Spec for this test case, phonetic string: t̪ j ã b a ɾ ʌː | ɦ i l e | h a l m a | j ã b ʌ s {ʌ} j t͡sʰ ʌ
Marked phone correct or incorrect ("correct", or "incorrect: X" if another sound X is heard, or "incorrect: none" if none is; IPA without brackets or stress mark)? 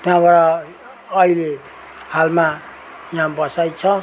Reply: incorrect: a